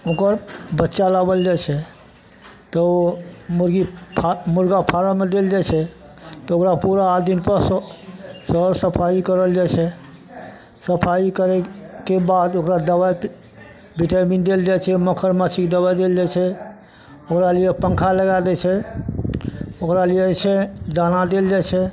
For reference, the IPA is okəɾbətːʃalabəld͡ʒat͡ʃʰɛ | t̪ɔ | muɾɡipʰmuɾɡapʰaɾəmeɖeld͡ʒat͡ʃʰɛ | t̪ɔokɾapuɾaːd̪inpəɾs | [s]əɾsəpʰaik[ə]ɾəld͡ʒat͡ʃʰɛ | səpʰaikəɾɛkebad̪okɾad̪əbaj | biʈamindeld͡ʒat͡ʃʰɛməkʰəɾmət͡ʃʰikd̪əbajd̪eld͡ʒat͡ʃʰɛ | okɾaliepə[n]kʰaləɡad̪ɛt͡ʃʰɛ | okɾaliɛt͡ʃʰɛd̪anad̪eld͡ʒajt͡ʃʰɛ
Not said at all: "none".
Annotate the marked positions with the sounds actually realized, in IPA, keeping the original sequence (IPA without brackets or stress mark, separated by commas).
s, ə, ŋ